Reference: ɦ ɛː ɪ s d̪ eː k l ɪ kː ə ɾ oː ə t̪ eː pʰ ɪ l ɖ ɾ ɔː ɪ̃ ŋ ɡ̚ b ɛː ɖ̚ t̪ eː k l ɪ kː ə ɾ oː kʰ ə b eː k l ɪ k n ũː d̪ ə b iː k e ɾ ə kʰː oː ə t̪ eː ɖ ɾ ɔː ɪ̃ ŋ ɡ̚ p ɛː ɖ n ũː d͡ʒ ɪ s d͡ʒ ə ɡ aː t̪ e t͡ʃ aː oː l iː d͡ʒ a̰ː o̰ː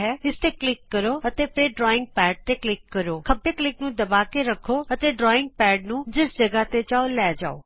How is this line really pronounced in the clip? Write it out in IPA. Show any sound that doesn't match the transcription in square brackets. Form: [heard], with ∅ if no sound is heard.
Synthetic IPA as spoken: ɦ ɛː ɪ s [t̪] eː k l ɪ kː ə ɾ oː ə t̪ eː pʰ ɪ [ɾ] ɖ ɾ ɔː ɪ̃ ŋ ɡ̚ [p] ɛː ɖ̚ t̪ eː k l ɪ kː ə ɾ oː kʰ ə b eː k l ɪ k n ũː d̪ ə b [aː] k e ɾ ə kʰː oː ə t̪ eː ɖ ɾ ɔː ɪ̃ ŋ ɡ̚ p ɛː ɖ n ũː d͡ʒ ɪ s d͡ʒ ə ɡ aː t̪ e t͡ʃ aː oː l [ɛː] d͡ʒ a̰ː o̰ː